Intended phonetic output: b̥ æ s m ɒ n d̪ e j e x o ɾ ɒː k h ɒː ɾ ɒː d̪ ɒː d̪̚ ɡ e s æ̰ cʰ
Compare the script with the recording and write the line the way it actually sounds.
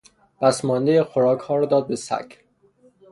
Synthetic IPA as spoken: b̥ æ s m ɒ n d̪ e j e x o ɾ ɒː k h ɒː ɾ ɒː d̪ ɒː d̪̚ b e s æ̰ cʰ